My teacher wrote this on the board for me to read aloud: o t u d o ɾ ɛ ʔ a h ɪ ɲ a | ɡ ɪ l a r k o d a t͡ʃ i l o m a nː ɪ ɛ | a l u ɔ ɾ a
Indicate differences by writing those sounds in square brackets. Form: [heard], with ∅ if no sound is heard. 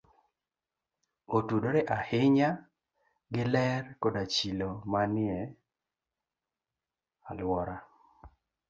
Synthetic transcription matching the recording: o t u d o ɾ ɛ ʔ a h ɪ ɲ a | ɡ ɪ l [ɛ] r k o d a t͡ʃ i l o m a [n] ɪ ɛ | a l [w] ɔ ɾ a